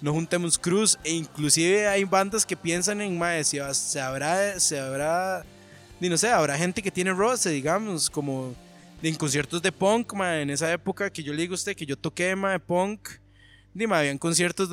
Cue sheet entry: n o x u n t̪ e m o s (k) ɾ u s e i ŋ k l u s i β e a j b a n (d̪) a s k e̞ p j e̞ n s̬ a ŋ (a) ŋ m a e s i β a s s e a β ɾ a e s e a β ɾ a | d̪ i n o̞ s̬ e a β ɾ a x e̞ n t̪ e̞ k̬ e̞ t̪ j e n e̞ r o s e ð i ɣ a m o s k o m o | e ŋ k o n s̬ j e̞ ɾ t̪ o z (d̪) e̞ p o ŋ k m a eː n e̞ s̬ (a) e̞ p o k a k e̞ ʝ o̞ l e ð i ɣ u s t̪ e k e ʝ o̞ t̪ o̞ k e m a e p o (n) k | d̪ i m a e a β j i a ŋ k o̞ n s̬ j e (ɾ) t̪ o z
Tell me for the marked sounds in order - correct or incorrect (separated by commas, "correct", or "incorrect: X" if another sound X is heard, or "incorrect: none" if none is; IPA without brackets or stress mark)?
correct, correct, incorrect: e, correct, correct, incorrect: ŋ, correct